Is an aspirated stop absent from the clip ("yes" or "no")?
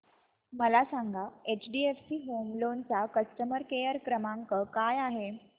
yes